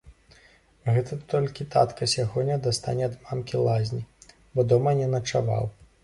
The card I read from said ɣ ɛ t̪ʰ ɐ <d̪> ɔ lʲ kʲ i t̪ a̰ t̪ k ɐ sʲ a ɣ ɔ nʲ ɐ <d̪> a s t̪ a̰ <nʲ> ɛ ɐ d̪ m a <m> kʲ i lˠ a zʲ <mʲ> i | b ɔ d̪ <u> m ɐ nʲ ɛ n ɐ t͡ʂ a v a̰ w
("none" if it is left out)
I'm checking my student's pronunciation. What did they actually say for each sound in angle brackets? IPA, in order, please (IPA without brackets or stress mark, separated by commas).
t̪, d̪, nʲ, m, nʲ, ɔ